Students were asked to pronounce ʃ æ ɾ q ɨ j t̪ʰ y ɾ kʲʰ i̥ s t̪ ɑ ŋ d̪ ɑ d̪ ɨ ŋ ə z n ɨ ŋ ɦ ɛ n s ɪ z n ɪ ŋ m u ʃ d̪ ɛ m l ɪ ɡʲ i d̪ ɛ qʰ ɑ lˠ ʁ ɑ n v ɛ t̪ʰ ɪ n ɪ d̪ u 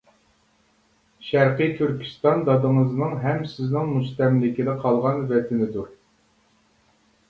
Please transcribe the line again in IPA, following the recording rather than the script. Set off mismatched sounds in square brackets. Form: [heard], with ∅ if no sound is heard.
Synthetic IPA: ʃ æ ɾ q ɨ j t̪ʰ y ɾ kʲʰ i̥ s t̪ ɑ [n] d̪ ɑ d̪ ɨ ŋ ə z n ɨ ŋ ɦ ɛ [m] s ɪ z n ɪ ŋ m u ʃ [t̪] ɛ m l ɪ [kʲ] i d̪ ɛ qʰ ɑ lˠ ʁ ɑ n v ɛ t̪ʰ ɪ n ɪ d̪ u